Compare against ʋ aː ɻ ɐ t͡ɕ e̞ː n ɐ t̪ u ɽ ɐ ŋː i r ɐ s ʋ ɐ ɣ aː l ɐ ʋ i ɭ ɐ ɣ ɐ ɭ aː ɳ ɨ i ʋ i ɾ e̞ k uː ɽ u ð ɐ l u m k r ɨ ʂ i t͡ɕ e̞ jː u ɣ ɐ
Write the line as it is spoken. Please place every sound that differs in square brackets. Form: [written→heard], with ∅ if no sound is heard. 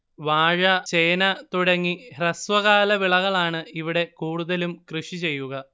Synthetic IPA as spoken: ʋ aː ɻ ɐ t͡ɕ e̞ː n ɐ t̪ u ɽ ɐ ŋː i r ɐ s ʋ ɐ ɣ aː l ɐ ʋ i ɭ ɐ ɣ ɐ ɭ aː ɳ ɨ i ʋ i [ɾ→ɽ] e̞ k uː ɽ u ð ɐ l u m k r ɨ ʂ i t͡ɕ e̞ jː u ɣ ɐ

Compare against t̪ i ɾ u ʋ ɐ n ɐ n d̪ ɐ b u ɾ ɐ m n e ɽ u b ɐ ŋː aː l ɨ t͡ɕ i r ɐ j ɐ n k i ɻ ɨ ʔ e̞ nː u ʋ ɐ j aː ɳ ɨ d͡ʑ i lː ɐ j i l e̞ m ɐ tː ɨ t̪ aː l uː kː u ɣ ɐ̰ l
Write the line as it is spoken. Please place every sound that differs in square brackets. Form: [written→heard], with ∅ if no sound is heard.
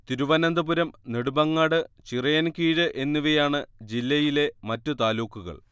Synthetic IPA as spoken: t̪ i ɾ u ʋ ɐ n ɐ n d̪ ɐ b u ɾ ɐ m n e ɽ u b ɐ ŋː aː [l→ɽ] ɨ t͡ɕ i r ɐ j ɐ n k [i→iː] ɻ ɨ ʔ e̞ nː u ʋ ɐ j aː ɳ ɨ d͡ʑ i lː ɐ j i l e̞ m ɐ tː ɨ t̪ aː l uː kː u ɣ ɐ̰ [l→ɭ]

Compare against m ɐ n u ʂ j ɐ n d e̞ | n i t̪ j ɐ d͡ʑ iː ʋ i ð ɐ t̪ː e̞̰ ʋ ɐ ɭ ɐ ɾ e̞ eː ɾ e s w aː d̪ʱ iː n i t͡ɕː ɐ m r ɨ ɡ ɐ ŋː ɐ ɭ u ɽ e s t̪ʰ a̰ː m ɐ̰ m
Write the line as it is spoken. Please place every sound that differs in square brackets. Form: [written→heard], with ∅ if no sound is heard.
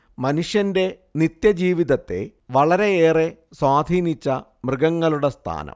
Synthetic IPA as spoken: m ɐ n u ʂ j ɐ n d e̞ | n i t̪ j ɐ d͡ʑ iː ʋ i ð ɐ t̪ː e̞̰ ʋ ɐ ɭ ɐ ɾ e̞ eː [ɾ→r] e s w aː d̪ʱ iː n i t͡ɕː ɐ m r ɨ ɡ ɐ ŋː ɐ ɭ u ɽ e s t̪ʰ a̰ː [m→n] ɐ̰ m

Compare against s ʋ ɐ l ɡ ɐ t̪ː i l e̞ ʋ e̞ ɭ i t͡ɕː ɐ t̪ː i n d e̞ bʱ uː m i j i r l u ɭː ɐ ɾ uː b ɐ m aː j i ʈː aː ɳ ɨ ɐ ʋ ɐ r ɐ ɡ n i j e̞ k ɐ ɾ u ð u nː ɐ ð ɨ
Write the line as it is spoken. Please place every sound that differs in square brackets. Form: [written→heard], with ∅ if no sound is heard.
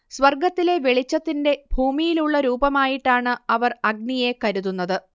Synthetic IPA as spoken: s ʋ ɐ [l→r] ɡ ɐ t̪ː i l e̞ ʋ e̞ ɭ i t͡ɕː ɐ t̪ː i n d e̞ bʱ uː m i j i [r→∅] l u ɭː ɐ ɾ uː b ɐ m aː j i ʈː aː ɳ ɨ ɐ ʋ ɐ r ɐ ɡ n i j e̞ k ɐ ɾ u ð u nː ɐ ð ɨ

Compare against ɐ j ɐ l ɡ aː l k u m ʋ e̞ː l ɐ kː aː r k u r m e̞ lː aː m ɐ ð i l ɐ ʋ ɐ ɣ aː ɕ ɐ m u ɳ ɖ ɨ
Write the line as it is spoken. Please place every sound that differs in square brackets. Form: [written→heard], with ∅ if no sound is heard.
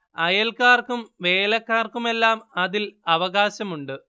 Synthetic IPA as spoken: ɐ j ɐ l [ɡ→k] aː [l→r] k u m ʋ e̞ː l ɐ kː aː r k u [r→∅] m e̞ lː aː m ɐ ð i l ɐ ʋ ɐ ɣ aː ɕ ɐ m u ɳ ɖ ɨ

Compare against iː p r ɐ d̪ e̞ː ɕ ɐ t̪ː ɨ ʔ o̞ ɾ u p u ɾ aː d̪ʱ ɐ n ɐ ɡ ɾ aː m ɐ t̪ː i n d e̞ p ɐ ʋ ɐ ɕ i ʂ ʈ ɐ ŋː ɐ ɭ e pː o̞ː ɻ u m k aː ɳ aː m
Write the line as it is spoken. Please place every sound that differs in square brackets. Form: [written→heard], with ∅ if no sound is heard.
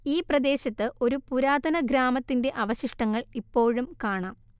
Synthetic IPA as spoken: iː p r ɐ d̪ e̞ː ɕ ɐ t̪ː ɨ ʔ o̞ ɾ u p u ɾ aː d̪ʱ ɐ n ɐ ɡ ɾ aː m ɐ t̪ː i n d e̞ [p→ʔ] ɐ ʋ ɐ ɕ i ʂ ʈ ɐ ŋː ɐ ɭ [e→i] pː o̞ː ɻ u m k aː ɳ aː m

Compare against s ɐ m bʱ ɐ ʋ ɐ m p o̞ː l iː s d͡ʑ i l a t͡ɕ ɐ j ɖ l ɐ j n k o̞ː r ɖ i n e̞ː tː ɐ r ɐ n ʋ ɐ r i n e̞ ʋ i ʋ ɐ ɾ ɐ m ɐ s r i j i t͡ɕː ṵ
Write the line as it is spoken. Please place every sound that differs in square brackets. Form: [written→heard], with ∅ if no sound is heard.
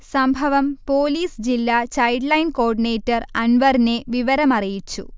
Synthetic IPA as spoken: s ɐ m bʱ ɐ ʋ ɐ m p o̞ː l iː s d͡ʑ i [l→lː] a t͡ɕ ɐ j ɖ l ɐ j n k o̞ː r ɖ i n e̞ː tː ɐ r ɐ n ʋ ɐ r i n e̞ ʋ i ʋ ɐ ɾ ɐ m ɐ [s→∅] r i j i t͡ɕː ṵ

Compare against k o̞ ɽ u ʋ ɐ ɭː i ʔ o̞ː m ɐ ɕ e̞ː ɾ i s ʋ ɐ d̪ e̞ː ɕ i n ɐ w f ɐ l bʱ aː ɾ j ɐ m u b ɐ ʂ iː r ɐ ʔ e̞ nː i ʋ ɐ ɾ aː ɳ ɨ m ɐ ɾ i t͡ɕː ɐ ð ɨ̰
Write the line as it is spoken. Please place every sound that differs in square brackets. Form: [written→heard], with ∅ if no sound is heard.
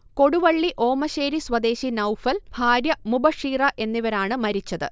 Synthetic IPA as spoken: k o̞ ɽ u ʋ ɐ ɭː i ʔ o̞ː m ɐ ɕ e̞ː ɾ i s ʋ ɐ d̪ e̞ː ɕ i n ɐ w f ɐ l bʱ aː ɾ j ɐ m u b ɐ ʂ iː r ɐ ʔ e̞ nː i ʋ ɐ ɾ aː ɳ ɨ m ɐ ɾ i t͡ɕː ɐ ð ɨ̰

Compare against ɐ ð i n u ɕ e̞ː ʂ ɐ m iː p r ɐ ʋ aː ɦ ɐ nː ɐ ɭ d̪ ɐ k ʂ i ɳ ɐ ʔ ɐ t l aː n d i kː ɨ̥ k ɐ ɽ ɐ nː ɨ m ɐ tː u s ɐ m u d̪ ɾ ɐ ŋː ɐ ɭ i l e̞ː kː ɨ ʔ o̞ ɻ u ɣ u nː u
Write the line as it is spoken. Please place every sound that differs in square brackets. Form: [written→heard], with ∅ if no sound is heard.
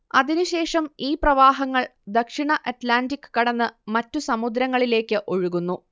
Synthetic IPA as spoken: ɐ ð i n u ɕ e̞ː ʂ ɐ m iː p r ɐ ʋ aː ɦ ɐ [nː→ŋː] ɐ ɭ d̪ ɐ k ʂ i ɳ ɐ ʔ ɐ t l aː n d i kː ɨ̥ k ɐ ɽ ɐ nː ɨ m ɐ tː u s ɐ m u d̪ ɾ ɐ ŋː ɐ ɭ i l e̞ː kː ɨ ʔ o̞ ɻ u ɣ u nː u

